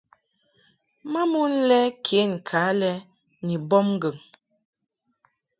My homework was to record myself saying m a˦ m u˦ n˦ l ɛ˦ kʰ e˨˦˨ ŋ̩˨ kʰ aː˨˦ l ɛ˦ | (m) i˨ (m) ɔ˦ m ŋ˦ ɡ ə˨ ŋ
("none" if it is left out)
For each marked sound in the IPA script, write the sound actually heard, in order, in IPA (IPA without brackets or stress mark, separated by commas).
n, b